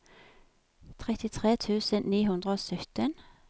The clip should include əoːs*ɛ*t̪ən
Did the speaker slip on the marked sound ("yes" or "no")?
yes